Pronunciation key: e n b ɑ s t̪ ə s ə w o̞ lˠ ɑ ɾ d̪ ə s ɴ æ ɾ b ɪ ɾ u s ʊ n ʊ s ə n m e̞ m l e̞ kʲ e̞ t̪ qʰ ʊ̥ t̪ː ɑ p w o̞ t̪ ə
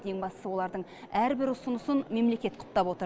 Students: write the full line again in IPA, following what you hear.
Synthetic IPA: e ŋ b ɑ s t̪ ə s ə w o̞ lˠ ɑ ɾ d̪ ə ɴ æ ɾ b ɪ ɾ ʊ s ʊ n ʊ s ə n m e̞ m l e̞ kʲ e̞ t̪ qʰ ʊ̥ t̪ː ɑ p w o̞ t̪ ə